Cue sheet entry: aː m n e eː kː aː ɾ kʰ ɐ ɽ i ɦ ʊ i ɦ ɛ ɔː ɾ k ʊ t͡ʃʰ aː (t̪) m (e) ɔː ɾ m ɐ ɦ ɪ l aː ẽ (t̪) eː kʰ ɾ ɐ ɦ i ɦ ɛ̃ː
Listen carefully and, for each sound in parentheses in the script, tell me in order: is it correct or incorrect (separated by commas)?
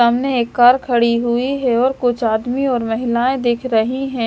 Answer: incorrect, incorrect, incorrect